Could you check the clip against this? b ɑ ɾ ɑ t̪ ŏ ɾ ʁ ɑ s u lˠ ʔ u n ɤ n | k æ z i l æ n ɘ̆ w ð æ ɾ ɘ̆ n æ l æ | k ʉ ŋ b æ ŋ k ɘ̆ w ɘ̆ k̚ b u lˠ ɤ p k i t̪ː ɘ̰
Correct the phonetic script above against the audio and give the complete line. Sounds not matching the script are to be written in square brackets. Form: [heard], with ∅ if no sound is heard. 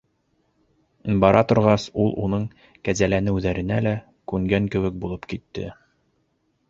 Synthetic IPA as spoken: b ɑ ɾ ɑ t̪ ŏ ɾ ʁ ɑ s u lˠ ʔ u n ɤ [ɴ] | k æ z [æ] l æ n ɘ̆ w ð æ ɾ ɘ̆ n æ l æ | k ʉ ŋ [ɡ] æ ŋ k ɘ̆ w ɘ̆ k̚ b u lˠ ɤ p k i t̪ː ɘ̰